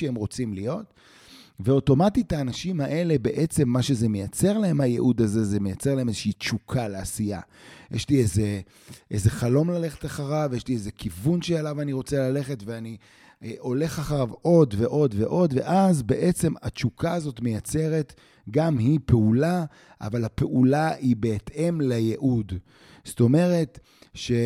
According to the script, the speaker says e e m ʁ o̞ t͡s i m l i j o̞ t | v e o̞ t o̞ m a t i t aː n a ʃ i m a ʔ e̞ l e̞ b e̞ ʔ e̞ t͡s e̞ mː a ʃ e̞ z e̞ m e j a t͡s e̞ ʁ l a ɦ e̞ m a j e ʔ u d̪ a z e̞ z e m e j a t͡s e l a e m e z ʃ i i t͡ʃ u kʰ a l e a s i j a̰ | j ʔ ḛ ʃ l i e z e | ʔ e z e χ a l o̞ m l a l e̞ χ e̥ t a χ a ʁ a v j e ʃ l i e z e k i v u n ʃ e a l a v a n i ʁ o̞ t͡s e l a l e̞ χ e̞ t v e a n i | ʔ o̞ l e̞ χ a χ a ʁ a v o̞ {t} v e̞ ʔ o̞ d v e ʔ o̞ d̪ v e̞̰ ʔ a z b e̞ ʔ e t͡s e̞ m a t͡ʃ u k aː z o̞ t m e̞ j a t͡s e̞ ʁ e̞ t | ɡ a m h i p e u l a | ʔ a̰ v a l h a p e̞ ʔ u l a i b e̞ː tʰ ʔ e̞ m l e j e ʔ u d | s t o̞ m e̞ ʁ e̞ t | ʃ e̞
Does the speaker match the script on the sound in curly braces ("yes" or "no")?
no